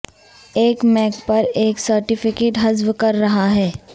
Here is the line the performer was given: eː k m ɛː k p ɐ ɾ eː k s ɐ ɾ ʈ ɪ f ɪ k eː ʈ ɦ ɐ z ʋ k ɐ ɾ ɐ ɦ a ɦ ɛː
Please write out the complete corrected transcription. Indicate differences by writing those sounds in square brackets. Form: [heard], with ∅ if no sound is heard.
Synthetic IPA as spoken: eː k m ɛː k p ɐ ɾ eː k s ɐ ɾ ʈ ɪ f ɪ k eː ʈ ɦ ɐ z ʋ k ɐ [ɾː] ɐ ɦ a ɦ ɛː

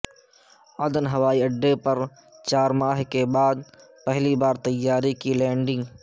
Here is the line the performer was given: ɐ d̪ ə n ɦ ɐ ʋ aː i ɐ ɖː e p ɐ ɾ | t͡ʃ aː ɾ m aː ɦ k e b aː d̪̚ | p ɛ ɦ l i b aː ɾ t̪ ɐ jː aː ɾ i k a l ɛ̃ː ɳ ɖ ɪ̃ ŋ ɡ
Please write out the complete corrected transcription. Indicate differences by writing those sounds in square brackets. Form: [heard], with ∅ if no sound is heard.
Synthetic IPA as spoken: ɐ d̪ ə n ɦ ɐ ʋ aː i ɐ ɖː e p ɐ ɾ | t͡ʃ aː ɾ m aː ɦ k e b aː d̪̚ | p ɛ ɦ l i b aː ɾ t̪ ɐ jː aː ɾ i k [i] l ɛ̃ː ɳ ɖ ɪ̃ ŋ ɡ

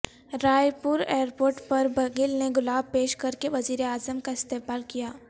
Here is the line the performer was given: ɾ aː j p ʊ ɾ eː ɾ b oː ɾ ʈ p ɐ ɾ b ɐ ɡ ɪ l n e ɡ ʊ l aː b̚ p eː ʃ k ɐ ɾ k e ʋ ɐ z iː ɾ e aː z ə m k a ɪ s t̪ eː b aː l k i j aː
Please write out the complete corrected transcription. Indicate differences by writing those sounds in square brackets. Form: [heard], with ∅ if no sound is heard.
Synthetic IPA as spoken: ɾ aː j p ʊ ɾ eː ɾ [p] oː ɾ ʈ p ɐ ɾ b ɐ ɡ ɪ l n e ɡ ʊ l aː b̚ p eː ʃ k ɐ ɾ k e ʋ ɐ z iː ɾ e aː z ə m k a ɪ s t̪ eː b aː l k i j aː

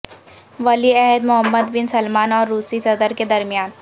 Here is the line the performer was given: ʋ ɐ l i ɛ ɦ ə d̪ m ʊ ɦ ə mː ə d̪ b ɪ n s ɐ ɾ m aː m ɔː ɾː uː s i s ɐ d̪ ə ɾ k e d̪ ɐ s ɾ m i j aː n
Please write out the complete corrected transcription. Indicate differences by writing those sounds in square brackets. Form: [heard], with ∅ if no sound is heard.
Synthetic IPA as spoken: ʋ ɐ l i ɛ ɦ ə d̪ m ʊ ɦ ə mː ə d̪ b ɪ n s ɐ [l] m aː [n] ɔː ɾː uː s i s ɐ d̪ ə ɾ k e d̪ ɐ [∅] ɾ m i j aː n

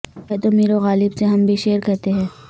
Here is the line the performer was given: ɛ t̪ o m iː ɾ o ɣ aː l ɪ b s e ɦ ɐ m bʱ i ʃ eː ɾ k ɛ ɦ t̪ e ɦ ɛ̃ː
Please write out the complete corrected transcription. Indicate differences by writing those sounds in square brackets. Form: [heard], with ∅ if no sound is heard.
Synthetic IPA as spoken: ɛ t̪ o m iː ɾ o ɣ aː l ɪ b s e ɦ ɐ m bʱ i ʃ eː ɾ k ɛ ɦ t̪ e ɦ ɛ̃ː

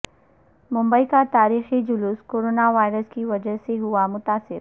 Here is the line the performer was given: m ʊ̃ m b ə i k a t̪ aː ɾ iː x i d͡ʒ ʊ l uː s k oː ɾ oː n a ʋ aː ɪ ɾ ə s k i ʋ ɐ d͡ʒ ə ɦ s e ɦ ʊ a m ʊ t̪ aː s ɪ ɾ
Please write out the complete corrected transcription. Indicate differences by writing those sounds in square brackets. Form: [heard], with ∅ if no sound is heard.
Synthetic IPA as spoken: m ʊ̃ m b ə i k a t̪ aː ɾ iː x i d͡ʒ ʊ l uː s k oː ɾ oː n a ʋ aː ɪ ɾ ə s k i ʋ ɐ d͡ʒ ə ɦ s e ɦ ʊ a m ʊ t̪ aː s ɪ ɾ

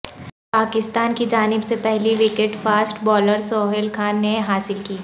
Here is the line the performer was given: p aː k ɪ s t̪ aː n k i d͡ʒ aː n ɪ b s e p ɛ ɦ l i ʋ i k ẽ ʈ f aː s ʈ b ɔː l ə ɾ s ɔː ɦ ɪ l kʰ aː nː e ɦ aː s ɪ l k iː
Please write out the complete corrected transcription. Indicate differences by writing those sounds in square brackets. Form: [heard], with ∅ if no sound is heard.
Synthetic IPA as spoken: p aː k ɪ s t̪ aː n k i d͡ʒ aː n ɪ b s e p ɛ ɦ l i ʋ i k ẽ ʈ f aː s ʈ b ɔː l ə ɾ s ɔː ɦ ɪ l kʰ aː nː e ɦ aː s ɪ l k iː

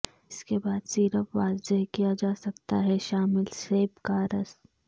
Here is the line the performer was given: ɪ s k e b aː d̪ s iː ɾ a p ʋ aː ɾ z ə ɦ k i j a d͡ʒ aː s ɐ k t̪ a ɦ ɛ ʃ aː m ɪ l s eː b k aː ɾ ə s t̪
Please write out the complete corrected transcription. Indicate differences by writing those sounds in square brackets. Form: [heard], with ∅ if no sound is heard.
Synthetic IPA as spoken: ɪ s k e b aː d̪ s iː ɾ [ə] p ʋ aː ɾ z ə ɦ k i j a d͡ʒ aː s ɐ k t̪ a ɦ ɛ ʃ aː m ɪ l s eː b k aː ɾ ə s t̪

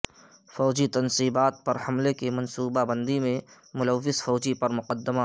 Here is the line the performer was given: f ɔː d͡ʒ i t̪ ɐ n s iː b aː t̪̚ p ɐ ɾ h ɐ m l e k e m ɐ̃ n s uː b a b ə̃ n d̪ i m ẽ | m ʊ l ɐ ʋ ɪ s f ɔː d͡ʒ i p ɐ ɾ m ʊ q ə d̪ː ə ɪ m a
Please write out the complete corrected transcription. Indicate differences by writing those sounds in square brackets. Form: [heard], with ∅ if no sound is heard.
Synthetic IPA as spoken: f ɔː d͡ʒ i t̪ ɐ n s iː b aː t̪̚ p ɐ ɾ h ɐ m l e k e m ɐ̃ n s uː b a b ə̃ n d̪ i m ẽ | m ʊ l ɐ [ʋː] ɪ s f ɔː d͡ʒ i p ɐ ɾ m ʊ q ə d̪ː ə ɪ m a

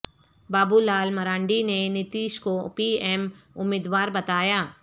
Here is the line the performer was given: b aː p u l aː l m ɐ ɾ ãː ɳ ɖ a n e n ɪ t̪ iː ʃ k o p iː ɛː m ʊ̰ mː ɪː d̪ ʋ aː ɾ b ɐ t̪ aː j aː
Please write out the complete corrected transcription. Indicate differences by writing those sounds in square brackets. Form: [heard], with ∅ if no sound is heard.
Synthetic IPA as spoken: b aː [b] u l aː l m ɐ ɾ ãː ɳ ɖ [i] n e n ɪ t̪ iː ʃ k o p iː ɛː m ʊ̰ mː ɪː d̪ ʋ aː ɾ b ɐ t̪ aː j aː

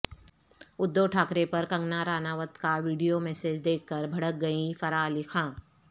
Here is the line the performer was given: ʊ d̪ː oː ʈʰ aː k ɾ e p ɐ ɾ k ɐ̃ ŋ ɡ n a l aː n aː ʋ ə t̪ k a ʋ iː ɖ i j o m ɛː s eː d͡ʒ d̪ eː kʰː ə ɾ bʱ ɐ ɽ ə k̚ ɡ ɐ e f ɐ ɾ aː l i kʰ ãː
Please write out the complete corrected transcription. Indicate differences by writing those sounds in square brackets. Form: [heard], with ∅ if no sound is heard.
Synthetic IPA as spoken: ʊ d̪ː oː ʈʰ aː k ɾ e p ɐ ɾ k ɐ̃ ŋ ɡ n a [ɾ] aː n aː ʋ ə t̪ k a ʋ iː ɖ i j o m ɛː s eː d͡ʒ d̪ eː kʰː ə ɾ bʱ ɐ ɽ ə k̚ ɡ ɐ [i] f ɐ ɾ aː l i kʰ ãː

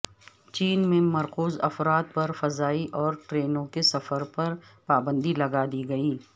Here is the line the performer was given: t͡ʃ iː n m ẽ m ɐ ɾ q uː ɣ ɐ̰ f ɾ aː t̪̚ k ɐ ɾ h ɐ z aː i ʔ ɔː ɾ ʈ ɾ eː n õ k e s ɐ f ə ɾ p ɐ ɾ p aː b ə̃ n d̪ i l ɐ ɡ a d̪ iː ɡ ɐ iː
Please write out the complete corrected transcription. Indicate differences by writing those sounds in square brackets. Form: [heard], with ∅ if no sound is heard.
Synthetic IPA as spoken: t͡ʃ iː n m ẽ m ɐ ɾ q uː [z] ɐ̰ f ɾ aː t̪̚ [p] ɐ ɾ [f] ɐ z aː i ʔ ɔː ɾ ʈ ɾ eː n õ k e s ɐ f ə ɾ p ɐ ɾ p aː b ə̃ n d̪ i l ɐ ɡ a d̪ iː ɡ ɐ iː

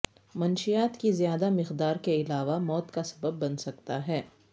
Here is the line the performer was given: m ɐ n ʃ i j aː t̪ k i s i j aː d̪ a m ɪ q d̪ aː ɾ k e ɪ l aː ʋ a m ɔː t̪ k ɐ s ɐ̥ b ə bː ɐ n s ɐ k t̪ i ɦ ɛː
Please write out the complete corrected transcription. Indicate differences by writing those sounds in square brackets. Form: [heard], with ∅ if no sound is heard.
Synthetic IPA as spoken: m ɐ n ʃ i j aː t̪ k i [z] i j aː d̪ a m ɪ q d̪ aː ɾ k e ɪ l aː ʋ a m ɔː t̪ k [a] s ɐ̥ b ə bː ɐ n s ɐ k t̪ [a] ɦ ɛː

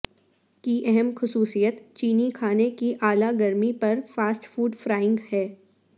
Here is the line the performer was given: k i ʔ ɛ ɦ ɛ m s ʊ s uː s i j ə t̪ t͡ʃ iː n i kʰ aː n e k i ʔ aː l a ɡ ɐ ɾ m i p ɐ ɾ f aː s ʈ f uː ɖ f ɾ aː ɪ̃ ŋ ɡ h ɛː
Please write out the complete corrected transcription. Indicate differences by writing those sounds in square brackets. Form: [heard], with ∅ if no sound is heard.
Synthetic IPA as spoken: k i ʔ ɛ ɦ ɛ m [x] ʊ s uː s i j ə t̪ t͡ʃ iː n i kʰ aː n e k i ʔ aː l a ɡ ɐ ɾ m i p ɐ ɾ f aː s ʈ f uː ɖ f ɾ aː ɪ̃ ŋ ɡ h ɛː

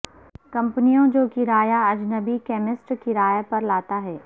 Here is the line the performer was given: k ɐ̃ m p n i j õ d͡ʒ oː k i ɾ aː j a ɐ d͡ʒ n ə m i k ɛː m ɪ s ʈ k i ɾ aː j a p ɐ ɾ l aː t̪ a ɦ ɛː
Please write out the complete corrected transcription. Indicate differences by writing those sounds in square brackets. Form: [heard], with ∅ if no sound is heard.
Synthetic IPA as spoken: k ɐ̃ m p n i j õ d͡ʒ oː k i ɾ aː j a ɐ d͡ʒ n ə [b] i k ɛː m ɪ s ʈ k i ɾ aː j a p ɐ ɾ l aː t̪ a ɦ ɛː

